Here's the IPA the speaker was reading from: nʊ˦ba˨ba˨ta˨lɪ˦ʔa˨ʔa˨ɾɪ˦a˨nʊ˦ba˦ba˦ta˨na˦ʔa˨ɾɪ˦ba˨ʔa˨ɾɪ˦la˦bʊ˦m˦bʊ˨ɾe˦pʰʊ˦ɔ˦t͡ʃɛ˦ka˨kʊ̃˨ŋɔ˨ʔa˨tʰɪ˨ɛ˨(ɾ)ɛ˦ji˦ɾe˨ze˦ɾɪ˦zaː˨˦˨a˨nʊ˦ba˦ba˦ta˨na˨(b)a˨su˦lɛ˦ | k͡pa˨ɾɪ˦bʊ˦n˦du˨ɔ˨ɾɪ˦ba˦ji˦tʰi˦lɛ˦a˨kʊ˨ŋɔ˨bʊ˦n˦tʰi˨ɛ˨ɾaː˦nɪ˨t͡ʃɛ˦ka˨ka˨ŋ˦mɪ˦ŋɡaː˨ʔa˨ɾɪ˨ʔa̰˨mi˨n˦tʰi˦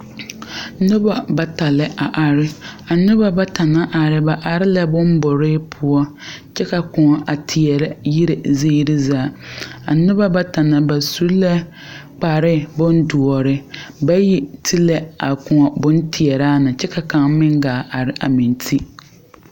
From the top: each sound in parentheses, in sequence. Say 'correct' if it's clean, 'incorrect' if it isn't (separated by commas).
correct, correct